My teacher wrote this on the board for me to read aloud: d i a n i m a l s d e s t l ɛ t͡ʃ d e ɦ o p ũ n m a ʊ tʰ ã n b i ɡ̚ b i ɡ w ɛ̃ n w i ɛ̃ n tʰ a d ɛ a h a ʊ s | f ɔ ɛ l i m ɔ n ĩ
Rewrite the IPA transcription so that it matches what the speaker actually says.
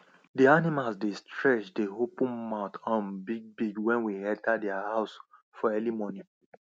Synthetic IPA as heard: d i a n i m a l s d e s t ɹ ɛ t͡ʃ d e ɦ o p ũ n m a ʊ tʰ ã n b i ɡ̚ b i ɡ w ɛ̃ n w i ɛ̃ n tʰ a d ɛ a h a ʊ s | f ɔ ɛ l i m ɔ n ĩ